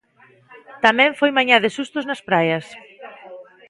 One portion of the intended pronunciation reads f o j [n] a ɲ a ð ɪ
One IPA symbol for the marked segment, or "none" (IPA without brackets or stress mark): m